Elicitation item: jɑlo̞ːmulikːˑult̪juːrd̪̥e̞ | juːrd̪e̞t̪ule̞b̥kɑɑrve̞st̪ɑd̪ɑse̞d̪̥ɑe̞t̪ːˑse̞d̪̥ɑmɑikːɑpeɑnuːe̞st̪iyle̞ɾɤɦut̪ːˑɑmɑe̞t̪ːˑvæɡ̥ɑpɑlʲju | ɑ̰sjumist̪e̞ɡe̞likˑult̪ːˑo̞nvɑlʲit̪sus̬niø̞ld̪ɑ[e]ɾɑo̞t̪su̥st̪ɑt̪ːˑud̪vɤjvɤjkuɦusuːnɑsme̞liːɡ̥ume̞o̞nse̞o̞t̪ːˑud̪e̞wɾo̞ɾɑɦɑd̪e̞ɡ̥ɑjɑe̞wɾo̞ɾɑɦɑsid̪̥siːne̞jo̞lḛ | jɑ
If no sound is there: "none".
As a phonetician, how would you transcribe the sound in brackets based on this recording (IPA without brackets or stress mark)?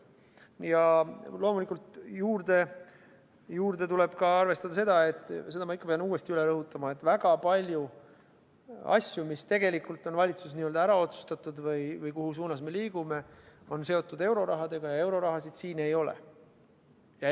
æ